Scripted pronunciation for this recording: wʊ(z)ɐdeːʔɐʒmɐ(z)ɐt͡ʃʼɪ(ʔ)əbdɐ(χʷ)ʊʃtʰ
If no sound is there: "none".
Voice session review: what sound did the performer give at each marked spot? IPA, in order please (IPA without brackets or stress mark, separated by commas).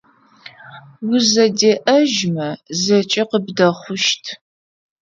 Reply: z, z, q, χʷ